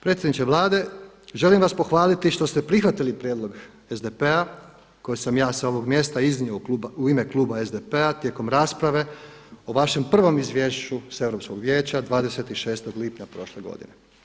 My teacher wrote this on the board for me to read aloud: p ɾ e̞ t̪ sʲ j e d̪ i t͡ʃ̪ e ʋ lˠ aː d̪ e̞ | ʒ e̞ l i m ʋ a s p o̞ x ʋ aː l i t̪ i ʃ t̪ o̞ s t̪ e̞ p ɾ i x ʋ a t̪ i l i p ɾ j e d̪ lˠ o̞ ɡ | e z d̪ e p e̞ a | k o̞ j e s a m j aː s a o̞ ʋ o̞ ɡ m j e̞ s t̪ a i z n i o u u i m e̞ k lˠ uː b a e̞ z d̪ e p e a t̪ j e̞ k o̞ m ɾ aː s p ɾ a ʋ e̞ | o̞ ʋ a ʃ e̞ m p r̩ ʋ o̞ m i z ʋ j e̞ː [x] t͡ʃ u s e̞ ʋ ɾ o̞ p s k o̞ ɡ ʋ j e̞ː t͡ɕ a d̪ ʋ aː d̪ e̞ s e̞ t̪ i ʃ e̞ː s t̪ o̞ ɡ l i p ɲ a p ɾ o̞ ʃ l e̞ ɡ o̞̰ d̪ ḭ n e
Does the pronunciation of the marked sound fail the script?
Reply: yes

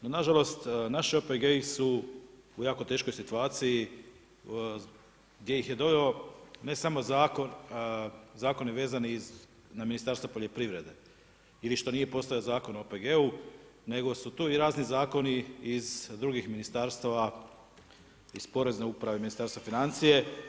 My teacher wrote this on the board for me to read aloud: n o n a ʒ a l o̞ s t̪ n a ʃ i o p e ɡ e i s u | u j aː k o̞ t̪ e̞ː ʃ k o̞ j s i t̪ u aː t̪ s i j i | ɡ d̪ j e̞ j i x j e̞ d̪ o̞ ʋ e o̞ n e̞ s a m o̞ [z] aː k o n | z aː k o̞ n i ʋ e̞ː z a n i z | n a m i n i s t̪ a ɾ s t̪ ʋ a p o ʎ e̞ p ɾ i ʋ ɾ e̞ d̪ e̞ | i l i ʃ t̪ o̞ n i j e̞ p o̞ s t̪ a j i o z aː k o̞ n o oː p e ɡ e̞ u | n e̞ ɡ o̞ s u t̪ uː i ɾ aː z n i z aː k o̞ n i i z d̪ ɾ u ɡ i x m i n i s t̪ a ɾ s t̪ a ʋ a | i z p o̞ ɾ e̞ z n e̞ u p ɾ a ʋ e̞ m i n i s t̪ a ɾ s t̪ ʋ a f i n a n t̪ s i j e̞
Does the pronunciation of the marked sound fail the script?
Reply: no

